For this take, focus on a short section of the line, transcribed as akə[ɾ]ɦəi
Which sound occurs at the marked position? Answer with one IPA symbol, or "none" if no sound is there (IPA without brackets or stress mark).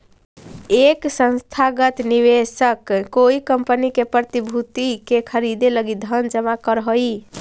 ɾ